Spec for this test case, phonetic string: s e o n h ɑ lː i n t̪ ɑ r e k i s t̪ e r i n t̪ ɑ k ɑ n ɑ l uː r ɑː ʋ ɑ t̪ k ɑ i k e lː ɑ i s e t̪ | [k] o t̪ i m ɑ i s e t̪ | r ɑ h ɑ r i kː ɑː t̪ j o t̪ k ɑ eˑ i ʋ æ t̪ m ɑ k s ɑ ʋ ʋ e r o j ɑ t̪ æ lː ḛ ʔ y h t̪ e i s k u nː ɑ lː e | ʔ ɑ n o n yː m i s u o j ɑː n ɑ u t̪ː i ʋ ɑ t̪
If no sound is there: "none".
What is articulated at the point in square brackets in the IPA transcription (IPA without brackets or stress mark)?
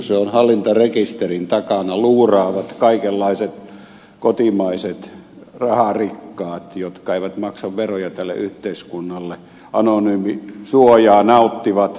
k